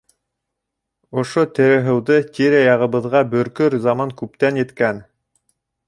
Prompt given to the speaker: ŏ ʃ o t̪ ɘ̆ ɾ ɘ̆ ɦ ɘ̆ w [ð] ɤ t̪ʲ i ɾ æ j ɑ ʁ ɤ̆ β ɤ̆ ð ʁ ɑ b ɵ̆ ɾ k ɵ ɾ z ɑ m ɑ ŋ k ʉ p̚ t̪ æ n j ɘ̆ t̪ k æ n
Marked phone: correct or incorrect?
correct